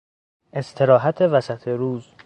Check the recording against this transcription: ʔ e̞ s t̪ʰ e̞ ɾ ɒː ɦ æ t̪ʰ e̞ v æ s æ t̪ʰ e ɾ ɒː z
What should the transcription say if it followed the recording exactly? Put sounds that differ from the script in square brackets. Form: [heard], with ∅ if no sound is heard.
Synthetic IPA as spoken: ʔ e̞ s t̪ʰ e̞ ɾ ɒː ɦ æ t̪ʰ e̞ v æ s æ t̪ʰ e ɾ [uː] z